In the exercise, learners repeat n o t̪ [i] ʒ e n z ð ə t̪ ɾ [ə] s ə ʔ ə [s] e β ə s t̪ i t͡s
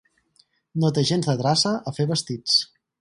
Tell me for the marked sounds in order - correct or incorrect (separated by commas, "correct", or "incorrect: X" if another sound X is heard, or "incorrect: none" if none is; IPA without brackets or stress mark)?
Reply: incorrect: e, incorrect: a, incorrect: f